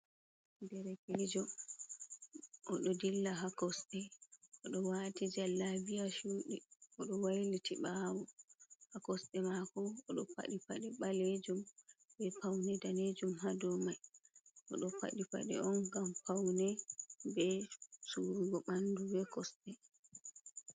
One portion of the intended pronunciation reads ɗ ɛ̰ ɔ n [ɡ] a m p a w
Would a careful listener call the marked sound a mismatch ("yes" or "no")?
no